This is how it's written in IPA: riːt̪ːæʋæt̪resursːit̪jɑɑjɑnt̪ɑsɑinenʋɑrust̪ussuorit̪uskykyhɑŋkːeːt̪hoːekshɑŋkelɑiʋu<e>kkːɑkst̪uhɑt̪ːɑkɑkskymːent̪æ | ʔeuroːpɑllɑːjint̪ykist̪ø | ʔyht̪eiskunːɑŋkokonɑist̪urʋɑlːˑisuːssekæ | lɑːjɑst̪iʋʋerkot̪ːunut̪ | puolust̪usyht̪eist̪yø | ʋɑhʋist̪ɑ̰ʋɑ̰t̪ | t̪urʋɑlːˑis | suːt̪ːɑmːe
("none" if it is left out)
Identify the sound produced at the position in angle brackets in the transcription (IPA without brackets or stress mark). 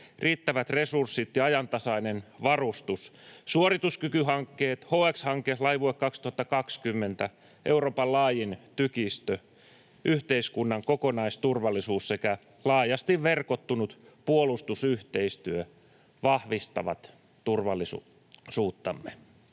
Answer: e